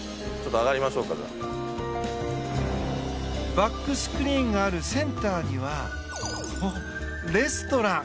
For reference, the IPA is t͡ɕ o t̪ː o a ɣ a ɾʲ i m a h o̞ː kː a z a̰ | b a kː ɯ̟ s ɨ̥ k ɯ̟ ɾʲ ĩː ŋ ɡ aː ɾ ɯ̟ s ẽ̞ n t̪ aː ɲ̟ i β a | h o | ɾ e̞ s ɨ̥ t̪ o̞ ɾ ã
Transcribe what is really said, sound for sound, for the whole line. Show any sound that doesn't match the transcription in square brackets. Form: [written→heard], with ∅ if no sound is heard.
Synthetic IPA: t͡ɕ o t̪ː o a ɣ a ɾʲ i m a [h→ɕ] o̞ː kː a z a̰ | b a kː ɯ̟ s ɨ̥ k ɯ̟ ɾʲ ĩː ŋ ɡ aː ɾ ɯ̟ s ẽ̞ n t̪ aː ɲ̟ i β a | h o | ɾ e̞ s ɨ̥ t̪ o̞ ɾ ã